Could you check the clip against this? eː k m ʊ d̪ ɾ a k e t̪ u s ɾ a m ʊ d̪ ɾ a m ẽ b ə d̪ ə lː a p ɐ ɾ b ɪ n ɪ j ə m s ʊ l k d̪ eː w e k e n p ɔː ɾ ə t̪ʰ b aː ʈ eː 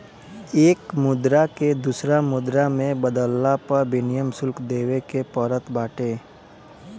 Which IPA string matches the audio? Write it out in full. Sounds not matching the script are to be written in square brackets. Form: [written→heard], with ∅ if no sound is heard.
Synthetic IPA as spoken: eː k m ʊ d̪ ɾ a k e [t̪→d̪] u s ɾ a m ʊ d̪ ɾ a m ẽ b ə d̪ ə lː a p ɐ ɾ b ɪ n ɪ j ə m s ʊ l k d̪ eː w e k e [n→∅] p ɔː ɾ ə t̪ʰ b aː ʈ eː